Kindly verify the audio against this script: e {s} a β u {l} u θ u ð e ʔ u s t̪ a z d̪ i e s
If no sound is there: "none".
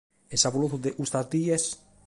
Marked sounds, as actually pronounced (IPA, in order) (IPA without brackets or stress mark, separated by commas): s, l